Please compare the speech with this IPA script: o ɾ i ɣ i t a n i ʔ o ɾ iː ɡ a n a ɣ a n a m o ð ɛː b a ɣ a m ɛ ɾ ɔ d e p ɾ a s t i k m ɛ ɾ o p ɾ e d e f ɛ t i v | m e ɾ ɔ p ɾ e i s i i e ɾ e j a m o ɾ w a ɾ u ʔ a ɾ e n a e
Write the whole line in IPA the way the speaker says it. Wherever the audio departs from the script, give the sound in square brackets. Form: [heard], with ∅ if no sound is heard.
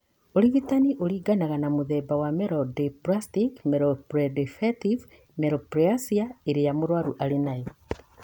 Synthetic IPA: o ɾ i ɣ i t a n i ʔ o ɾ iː ɡ a n a ɣ a n a m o ð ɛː b a [w] a m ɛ ɾ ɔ d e p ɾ a s t i k m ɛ ɾ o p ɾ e d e f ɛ t i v | m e ɾ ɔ p ɾ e [a] s i [a] e ɾ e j a m o ɾ w a ɾ u ʔ a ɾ e n a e